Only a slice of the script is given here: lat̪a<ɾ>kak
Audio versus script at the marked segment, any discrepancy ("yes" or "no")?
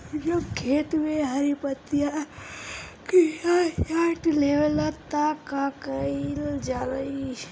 yes